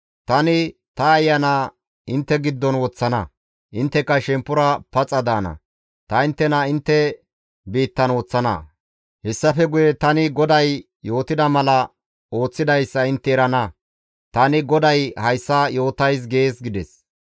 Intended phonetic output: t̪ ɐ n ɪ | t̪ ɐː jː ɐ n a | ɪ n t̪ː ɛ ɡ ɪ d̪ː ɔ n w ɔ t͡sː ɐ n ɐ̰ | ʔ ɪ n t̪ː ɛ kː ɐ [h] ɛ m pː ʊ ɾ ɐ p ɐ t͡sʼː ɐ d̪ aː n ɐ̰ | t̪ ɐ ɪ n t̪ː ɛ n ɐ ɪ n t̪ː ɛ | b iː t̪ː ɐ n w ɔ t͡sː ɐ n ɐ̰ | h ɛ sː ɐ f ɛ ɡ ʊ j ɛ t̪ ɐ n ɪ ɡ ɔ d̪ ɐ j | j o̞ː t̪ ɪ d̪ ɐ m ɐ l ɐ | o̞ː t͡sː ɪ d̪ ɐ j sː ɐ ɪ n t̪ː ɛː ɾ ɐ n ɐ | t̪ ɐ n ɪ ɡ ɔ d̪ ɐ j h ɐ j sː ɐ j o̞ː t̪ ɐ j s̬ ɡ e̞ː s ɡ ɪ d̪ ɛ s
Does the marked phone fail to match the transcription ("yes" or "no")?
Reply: yes